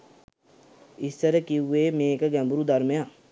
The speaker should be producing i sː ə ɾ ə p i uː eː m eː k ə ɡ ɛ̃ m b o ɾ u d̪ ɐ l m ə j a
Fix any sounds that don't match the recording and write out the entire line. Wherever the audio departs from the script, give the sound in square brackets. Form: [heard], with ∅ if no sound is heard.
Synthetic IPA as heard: i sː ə ɾ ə [k] i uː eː m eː k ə ɡ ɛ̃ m b [u] ɾ u d̪ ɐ [ɾ] m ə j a